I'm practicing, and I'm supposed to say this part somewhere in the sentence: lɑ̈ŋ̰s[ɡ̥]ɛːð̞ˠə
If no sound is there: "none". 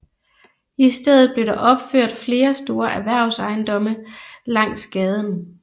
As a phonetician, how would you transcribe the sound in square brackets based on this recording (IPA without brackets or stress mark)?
ɡ̥